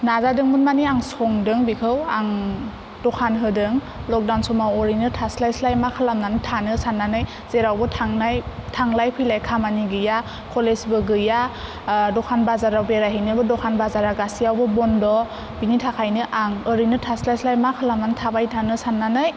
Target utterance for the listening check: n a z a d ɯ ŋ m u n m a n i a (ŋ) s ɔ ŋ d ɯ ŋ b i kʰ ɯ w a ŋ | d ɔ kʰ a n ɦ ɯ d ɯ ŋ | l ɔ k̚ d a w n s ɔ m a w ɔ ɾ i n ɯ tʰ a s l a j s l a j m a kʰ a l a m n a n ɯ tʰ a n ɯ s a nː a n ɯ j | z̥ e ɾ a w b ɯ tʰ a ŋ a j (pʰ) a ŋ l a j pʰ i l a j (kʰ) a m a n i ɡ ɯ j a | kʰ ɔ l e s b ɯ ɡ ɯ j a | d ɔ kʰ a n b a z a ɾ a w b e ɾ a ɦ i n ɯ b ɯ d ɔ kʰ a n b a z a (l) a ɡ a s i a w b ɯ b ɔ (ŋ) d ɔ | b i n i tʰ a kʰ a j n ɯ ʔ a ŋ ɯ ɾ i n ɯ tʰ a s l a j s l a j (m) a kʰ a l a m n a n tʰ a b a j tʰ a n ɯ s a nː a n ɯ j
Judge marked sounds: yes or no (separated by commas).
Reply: yes, no, yes, no, no, yes